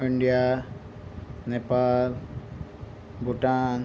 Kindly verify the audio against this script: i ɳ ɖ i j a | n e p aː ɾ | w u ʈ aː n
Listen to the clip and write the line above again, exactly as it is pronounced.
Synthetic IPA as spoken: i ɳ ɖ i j a | n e p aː l | b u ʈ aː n